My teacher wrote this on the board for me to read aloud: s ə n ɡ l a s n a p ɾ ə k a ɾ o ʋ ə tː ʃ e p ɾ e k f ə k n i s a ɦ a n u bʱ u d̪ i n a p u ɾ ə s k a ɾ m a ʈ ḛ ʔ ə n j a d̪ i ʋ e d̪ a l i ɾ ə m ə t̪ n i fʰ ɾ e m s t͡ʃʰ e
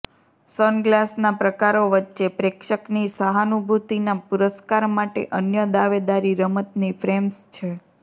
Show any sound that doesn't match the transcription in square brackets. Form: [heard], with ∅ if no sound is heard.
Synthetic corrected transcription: s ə n ɡ l a s n a p ɾ ə k a ɾ o ʋ ə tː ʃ e p ɾ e k [ʃ] ə k n i s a ɦ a n u bʱ u [t̪] i n a p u ɾ ə s k a ɾ m a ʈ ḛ ʔ ə n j [ə] d̪ [a] ʋ e d̪ a [ɾ] i ɾ ə m ə t̪ n i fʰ ɾ e m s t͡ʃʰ e